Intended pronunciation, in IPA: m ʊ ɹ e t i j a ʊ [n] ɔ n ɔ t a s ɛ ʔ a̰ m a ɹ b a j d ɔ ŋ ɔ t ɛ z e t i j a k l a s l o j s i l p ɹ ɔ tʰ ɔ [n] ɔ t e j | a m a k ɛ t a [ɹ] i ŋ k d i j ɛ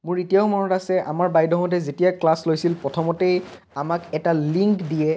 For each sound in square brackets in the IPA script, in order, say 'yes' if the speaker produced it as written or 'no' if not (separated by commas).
no, no, no